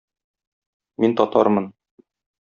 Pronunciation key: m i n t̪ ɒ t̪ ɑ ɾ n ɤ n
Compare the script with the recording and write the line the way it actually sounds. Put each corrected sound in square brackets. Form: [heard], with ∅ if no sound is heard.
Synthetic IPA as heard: m i n t̪ ɒ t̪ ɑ ɾ [m] ɤ n